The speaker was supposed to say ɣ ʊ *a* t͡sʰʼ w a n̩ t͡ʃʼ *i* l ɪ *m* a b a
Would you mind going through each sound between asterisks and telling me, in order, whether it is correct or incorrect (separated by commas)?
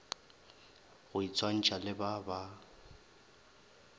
incorrect, incorrect, incorrect